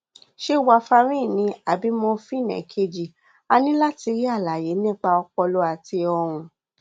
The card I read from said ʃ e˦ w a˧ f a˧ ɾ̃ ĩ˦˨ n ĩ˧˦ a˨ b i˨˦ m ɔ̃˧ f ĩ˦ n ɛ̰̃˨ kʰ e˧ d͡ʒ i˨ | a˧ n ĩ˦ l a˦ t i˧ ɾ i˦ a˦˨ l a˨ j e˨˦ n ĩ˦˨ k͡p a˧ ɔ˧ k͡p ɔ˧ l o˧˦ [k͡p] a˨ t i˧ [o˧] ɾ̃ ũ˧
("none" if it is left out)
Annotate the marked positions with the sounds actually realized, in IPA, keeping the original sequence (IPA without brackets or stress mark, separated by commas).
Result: none, ɔ˧